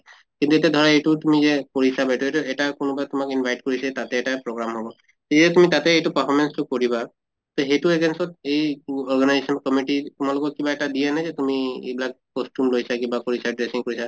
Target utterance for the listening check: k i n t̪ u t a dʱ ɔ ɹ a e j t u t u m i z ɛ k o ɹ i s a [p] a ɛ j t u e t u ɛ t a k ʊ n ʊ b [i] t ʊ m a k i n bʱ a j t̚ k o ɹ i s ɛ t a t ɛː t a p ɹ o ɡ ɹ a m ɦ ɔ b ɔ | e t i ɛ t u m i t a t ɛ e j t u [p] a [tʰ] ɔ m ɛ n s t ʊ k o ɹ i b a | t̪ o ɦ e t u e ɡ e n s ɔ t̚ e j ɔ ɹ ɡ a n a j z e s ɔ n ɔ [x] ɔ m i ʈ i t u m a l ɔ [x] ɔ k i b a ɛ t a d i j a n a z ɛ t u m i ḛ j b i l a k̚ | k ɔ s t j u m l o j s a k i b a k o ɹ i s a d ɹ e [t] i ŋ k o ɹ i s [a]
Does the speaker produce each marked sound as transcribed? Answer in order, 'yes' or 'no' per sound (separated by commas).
no, no, yes, no, no, no, no, yes